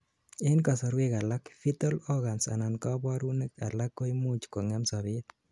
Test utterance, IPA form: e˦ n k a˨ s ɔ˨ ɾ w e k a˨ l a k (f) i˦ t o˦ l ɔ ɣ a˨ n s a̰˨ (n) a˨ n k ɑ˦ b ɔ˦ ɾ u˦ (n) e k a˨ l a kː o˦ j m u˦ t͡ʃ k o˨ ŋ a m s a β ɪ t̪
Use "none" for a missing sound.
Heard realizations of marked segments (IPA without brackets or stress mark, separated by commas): f, n, n